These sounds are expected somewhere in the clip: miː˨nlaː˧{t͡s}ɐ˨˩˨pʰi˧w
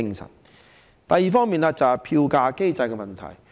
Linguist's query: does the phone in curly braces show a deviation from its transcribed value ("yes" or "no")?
no